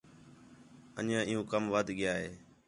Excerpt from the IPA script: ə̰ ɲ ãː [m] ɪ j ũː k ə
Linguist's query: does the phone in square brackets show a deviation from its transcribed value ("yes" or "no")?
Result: yes